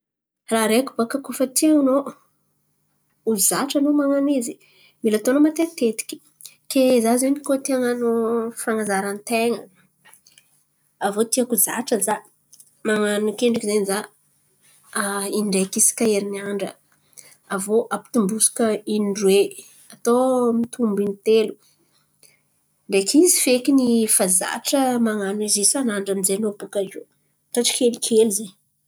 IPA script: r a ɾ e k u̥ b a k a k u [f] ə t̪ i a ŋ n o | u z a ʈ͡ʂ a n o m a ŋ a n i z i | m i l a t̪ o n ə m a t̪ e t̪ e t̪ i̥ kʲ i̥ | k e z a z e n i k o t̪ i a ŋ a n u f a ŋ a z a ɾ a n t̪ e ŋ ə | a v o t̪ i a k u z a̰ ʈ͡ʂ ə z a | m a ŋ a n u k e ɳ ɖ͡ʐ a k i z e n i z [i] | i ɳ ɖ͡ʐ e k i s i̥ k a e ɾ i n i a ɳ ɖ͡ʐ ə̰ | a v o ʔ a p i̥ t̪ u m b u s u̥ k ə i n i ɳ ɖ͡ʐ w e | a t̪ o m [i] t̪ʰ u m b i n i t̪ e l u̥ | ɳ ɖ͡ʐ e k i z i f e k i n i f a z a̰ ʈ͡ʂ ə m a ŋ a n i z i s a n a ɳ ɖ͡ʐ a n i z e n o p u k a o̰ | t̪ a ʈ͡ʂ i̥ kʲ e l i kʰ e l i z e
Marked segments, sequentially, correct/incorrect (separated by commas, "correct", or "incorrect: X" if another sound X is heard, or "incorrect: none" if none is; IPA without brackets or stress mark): correct, incorrect: a, correct